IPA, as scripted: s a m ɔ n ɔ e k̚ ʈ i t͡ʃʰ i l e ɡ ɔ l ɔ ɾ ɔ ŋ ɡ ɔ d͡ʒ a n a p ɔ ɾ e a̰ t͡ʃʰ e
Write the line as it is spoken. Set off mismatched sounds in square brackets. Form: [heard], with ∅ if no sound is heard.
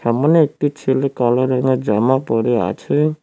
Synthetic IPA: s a m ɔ n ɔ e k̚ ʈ i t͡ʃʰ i l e [k] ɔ l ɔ ɾ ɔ ŋ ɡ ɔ d͡ʒ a [m] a p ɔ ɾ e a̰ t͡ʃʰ e